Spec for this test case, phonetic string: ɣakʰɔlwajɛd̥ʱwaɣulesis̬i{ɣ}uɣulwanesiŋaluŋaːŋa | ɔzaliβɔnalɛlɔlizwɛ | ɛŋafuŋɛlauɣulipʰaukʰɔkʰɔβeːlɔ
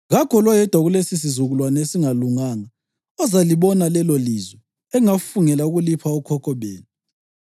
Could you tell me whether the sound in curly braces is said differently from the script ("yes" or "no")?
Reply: yes